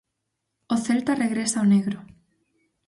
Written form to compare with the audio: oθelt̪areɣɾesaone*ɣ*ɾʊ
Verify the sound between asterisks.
correct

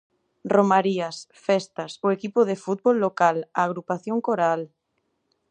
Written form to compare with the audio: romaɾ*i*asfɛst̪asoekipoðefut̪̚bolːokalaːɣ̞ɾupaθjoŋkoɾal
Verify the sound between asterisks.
correct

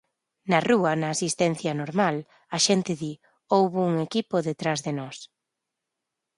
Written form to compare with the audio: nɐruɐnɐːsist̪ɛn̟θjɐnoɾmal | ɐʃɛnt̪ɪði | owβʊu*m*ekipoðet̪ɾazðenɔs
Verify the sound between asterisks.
incorrect: ŋ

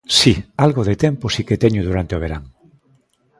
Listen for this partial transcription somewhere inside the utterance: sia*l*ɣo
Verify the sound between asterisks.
correct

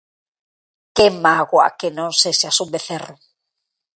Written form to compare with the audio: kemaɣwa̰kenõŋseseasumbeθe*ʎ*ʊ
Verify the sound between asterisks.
incorrect: r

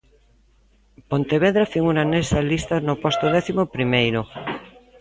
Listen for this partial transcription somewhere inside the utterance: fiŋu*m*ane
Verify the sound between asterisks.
incorrect: n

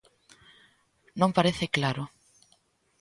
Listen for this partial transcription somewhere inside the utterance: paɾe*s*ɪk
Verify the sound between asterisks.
incorrect: θ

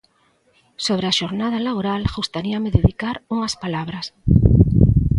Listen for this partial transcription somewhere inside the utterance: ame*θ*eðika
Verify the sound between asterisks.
incorrect: ð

